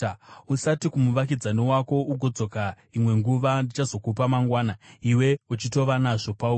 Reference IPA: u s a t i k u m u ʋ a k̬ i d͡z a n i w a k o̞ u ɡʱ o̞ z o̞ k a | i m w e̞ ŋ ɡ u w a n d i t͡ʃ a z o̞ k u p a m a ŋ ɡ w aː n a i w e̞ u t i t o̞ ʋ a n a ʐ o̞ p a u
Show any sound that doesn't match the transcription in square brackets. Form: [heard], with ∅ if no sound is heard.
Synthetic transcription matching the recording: u s a t i k u m u ʋ a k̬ i d͡z a n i w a k o̞ u ɡʱ o̞ [d͡z] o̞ k a | i m w e̞ ŋ ɡ u [ʋ] a n d i t͡ʃ a z o̞ k u p a m a ŋ ɡ w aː n a i w e̞ u [t͡ʃ] i t o̞ ʋ a n a ʐ o̞ p a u